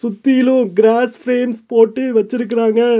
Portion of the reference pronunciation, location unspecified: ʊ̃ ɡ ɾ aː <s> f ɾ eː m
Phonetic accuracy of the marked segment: correct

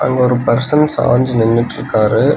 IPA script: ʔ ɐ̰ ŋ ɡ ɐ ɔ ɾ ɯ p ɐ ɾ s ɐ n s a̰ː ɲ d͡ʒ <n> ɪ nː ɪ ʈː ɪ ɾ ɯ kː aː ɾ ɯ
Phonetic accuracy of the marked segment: correct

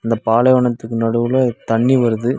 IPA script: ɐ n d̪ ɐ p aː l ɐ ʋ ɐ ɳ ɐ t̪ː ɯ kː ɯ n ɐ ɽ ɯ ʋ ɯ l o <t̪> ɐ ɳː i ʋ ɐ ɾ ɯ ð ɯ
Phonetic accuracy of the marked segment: correct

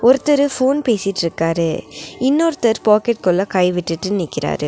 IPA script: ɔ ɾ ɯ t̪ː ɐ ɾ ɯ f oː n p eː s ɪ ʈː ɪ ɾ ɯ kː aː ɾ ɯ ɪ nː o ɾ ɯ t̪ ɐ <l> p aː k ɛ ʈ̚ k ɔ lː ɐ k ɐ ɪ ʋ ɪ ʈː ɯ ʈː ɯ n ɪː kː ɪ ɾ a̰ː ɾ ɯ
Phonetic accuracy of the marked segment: incorrect: ɾ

